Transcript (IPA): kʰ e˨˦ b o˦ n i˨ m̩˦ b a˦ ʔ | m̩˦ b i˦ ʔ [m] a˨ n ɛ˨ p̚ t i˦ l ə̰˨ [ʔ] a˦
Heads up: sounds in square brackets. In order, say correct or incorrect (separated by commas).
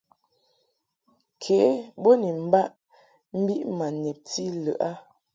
correct, correct